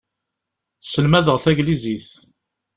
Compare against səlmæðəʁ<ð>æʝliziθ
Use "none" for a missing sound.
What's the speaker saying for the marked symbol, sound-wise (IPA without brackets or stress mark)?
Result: θ